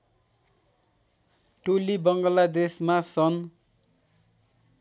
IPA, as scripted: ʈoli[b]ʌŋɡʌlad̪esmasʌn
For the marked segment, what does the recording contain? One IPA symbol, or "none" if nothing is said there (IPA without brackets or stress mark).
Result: b